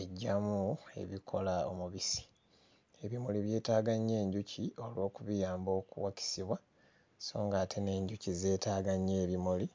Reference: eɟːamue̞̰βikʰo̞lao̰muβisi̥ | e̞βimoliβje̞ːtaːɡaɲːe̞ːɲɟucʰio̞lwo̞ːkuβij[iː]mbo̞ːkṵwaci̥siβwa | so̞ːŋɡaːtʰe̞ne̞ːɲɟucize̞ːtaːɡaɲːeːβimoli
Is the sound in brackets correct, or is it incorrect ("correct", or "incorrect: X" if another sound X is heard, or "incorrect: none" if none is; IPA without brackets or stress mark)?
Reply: incorrect: aː